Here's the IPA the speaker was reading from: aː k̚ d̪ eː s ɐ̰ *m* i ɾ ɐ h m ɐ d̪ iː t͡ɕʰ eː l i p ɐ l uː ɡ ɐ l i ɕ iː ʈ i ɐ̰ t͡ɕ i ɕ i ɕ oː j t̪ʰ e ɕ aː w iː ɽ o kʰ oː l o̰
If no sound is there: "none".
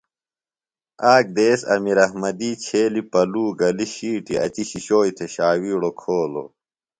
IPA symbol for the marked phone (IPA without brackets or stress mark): m